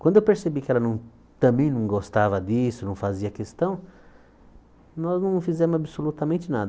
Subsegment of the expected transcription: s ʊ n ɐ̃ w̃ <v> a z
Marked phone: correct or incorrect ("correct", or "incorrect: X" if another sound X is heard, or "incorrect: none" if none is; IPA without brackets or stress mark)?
incorrect: f